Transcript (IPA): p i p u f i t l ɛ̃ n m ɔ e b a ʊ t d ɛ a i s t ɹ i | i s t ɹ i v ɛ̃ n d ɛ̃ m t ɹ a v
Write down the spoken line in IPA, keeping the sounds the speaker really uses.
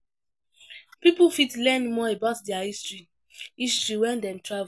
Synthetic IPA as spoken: p i p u f i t l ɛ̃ n m ɔ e b a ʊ t d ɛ a i s t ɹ i | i s t ɹ i w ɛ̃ n d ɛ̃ m t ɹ a v